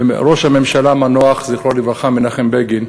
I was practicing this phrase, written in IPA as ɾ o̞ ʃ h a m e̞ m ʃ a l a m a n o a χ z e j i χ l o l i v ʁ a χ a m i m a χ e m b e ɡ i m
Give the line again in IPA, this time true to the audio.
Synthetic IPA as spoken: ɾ o̞ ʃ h a m e̞ m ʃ a l a m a n o a χ z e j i χ l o l i v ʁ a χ a m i n a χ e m b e ɡ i n